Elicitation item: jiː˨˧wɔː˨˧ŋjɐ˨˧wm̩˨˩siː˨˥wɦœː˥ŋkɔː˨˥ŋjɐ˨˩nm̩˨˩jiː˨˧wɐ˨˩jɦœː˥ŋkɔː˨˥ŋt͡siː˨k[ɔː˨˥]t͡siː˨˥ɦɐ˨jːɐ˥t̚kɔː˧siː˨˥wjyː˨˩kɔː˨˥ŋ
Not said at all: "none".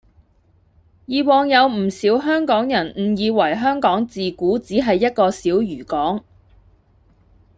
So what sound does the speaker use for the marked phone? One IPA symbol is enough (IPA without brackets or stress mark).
uː˨˥